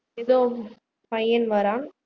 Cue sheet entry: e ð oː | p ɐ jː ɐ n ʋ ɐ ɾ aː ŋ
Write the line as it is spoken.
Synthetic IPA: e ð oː | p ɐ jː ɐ n ʋ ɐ ɾ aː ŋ